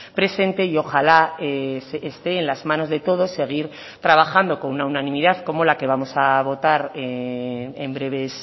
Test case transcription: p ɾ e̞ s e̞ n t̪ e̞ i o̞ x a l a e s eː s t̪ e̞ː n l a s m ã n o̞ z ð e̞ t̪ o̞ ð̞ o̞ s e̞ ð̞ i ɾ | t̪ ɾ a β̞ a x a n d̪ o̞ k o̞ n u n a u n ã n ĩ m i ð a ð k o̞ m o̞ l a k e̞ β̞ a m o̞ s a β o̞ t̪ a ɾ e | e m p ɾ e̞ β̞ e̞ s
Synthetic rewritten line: p ɾ e̞ s e̞ n t̪ e̞ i o̞ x a l a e s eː s t̪ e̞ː n l a z m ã n o̞ z ð e̞ t̪ o̞ ð̞ o̞ s e̞ ɣ̞ i ɾ | t̪ ɾ a β̞ a x a n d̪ o̞ k o̞ n u n a u n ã n ĩ m i ð a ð k o̞ m o̞ l a k e̞ β̞ a m o̞ s a β o̞ t̪ a ɾ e | e m b ɾ e̞ β̞ e̞ s